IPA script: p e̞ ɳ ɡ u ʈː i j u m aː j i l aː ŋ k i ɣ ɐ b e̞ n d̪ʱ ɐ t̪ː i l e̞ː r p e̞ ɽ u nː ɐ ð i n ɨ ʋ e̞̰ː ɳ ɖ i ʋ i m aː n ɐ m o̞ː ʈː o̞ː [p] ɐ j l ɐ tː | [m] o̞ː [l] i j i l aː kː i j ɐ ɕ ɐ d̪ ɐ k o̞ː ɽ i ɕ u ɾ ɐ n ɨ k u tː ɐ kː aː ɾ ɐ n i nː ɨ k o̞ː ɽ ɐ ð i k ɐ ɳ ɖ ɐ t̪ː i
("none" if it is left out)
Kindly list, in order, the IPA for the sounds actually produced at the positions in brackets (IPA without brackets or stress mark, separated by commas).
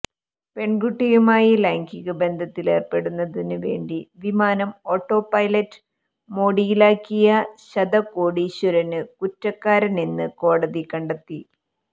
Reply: p, m, ɽ